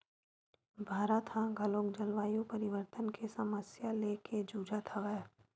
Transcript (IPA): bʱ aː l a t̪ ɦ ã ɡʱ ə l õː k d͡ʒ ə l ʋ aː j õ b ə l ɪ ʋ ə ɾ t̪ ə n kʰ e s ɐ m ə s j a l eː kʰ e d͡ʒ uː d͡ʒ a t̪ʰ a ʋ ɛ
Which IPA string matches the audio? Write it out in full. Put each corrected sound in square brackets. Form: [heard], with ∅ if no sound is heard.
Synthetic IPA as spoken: bʱ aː [ɾ] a t̪ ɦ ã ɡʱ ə l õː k d͡ʒ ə l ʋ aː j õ [p] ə [ɾ] ɪ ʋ ə ɾ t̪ ə n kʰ e s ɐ m ə s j a l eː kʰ e d͡ʒ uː d͡ʒ a t̪ʰ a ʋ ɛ